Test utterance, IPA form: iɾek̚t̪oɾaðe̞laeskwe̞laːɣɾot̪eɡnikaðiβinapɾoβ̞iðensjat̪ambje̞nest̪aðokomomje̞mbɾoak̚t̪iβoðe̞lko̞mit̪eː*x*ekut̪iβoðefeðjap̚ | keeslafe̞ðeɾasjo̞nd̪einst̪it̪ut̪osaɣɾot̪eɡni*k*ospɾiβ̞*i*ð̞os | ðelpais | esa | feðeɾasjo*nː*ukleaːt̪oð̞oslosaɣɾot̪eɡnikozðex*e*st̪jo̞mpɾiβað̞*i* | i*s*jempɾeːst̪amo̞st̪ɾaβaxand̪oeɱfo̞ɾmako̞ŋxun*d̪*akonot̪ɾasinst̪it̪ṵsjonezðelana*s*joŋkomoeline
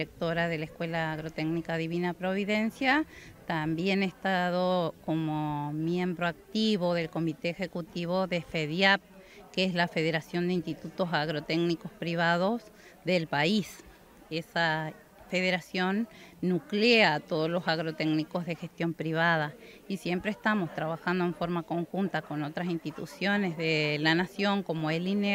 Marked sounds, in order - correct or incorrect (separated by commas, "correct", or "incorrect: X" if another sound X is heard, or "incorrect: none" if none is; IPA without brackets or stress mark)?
correct, correct, incorrect: a, correct, correct, incorrect: a, correct, incorrect: t̪, correct